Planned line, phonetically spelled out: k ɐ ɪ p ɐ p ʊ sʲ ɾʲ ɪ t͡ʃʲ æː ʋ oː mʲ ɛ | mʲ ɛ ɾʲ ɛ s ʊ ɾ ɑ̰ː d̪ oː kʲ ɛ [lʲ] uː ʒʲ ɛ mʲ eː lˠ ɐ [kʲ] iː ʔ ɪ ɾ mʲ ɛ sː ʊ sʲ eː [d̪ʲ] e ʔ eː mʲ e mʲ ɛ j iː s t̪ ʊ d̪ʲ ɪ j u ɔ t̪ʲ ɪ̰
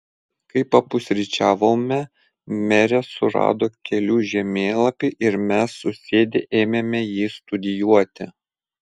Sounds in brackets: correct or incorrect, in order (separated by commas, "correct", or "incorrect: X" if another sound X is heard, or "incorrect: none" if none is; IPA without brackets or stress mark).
correct, incorrect: pʲ, correct